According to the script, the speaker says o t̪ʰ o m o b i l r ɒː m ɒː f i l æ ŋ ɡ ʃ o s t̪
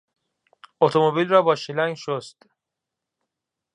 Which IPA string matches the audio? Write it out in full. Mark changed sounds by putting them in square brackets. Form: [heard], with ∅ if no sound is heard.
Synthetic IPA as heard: o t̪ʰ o m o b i l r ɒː [b] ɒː [ʃ] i l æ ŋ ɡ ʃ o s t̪